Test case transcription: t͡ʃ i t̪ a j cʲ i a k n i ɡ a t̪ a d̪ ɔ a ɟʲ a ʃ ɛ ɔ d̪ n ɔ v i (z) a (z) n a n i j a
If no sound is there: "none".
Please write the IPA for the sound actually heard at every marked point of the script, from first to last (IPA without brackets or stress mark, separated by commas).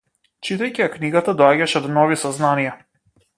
s, z